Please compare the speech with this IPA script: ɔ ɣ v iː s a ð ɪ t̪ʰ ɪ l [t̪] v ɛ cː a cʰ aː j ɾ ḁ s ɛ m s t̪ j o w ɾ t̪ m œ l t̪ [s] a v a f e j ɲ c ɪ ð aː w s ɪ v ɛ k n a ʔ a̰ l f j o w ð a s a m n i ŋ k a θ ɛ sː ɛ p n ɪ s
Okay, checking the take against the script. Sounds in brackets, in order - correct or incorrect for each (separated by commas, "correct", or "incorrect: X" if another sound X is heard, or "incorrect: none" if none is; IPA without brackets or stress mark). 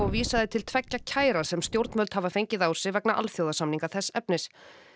incorrect: t̪ʰ, incorrect: h